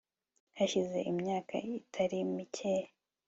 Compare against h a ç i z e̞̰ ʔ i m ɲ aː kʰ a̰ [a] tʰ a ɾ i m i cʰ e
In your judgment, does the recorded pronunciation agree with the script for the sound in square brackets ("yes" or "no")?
no